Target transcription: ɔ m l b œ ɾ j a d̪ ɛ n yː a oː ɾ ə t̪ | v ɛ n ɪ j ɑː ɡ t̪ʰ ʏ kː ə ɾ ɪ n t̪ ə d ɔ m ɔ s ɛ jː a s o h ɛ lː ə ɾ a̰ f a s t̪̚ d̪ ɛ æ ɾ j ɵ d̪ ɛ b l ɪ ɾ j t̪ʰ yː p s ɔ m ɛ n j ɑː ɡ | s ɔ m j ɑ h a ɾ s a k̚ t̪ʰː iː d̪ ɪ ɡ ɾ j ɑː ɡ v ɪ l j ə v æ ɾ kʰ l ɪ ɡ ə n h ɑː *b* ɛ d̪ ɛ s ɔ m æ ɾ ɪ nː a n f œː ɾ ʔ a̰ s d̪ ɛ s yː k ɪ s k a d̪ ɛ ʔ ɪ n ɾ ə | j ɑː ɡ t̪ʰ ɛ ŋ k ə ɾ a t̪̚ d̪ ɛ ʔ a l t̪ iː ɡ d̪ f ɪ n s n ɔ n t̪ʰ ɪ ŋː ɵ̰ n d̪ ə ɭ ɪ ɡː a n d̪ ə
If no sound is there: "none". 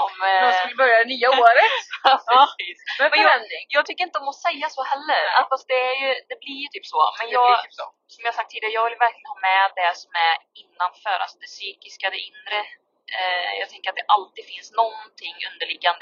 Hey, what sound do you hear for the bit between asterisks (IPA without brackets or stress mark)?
m